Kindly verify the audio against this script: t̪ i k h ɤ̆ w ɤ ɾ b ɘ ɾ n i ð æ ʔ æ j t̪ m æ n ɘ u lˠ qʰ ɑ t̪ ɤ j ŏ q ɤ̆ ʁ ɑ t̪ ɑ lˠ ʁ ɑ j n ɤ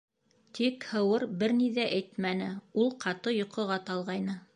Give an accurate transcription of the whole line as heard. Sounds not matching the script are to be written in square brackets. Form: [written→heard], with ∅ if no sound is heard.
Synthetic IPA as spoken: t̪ i k h ɤ̆ w ɤ ɾ b ɘ ɾ n i ð æ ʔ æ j t̪ m æ n ɘ u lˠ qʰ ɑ t̪ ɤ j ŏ q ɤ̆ ʁ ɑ t̪ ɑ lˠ ʁ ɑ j n ɤ